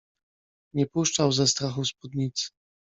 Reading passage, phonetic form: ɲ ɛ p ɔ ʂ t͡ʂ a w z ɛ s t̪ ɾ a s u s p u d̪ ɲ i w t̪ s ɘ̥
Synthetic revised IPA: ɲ ɛ p u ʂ t͡ʂ a w z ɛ s t̪ ɾ a x u s p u d̪ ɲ i t̪ s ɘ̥